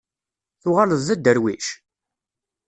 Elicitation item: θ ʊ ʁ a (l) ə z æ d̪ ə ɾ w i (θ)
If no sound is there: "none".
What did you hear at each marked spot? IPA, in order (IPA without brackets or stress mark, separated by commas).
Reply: l, ʃ